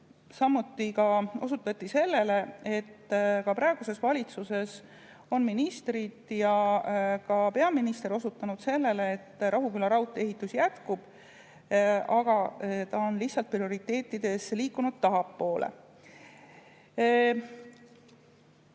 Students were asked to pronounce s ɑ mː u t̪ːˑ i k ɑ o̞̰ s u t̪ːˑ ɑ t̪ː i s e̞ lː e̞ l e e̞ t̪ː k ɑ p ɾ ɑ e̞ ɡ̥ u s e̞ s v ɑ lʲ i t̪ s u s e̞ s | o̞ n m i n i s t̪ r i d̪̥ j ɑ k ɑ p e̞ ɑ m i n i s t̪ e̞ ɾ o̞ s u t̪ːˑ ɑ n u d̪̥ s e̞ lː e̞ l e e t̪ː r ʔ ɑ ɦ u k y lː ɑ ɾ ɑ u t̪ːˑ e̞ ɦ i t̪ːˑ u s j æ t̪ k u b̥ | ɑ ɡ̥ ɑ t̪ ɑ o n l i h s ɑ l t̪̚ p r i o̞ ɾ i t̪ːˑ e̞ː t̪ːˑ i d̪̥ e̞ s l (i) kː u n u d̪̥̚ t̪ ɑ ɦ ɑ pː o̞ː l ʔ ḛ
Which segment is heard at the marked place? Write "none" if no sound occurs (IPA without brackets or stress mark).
iː